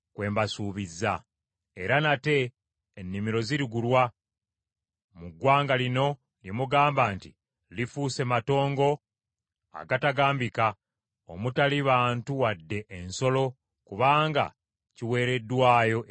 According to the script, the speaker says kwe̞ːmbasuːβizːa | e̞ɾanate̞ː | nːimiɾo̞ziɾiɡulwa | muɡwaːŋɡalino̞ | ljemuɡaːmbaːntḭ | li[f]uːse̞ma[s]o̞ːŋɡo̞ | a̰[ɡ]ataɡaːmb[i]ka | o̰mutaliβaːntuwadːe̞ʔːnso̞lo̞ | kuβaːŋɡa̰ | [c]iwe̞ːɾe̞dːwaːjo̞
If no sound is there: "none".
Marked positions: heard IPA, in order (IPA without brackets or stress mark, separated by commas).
f, t, ɡ, i, c